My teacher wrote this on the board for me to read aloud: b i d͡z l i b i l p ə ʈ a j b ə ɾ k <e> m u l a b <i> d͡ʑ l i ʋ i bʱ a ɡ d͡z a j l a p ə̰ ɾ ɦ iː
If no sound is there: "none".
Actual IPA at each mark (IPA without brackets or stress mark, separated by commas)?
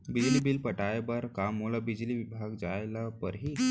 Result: a, i